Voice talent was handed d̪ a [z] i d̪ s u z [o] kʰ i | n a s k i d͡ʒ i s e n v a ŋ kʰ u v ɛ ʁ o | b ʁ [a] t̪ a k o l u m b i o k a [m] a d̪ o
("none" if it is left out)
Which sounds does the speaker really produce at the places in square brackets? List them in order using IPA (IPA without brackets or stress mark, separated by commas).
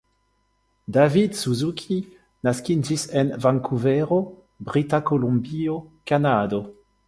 v, u, i, n